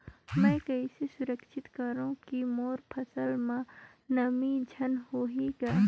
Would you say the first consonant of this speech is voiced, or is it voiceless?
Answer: voiced